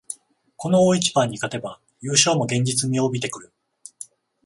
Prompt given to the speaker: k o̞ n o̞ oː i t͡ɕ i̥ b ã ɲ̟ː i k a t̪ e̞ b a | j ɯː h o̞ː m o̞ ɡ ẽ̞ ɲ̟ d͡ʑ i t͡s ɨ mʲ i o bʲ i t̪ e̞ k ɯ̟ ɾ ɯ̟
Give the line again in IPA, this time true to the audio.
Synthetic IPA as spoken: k o̞ n o̞ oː i t͡ɕ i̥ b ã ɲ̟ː i k a t̪ e̞ b a | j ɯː ɕ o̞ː m o̞ ɡ ẽ̞ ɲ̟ d͡ʑ i t͡s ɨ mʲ i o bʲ i t̪ e̞ k ɯ̟ ɾ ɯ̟